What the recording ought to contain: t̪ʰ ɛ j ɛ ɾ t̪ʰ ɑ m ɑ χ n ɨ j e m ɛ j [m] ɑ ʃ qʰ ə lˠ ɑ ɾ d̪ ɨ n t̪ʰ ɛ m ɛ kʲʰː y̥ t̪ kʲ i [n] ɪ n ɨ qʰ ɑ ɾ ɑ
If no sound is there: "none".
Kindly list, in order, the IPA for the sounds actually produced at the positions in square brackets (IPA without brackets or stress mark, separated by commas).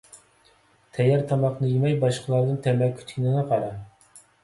b, n